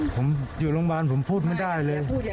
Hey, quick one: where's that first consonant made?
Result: lips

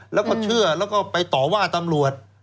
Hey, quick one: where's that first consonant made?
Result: tongue tip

